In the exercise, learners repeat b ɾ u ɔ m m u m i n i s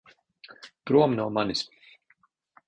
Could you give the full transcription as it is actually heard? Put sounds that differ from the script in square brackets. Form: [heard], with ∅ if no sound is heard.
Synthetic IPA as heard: [p] ɾ u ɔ m [n] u m [a] n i s